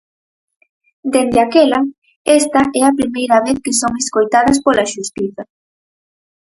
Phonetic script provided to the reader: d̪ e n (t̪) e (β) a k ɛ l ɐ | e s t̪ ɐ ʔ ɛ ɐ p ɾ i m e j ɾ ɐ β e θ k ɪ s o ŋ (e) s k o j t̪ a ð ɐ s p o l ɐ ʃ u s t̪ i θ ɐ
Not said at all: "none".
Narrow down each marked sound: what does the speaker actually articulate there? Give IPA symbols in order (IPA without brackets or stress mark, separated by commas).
d̪, none, e